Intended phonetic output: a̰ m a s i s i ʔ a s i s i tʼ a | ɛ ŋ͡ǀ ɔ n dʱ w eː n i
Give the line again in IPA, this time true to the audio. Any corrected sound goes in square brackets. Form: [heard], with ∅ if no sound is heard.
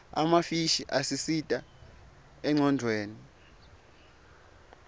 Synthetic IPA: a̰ m a [f] i [ʃ] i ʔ a s i s i tʼ a | ɛ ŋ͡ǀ ɔ n dʱ w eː n i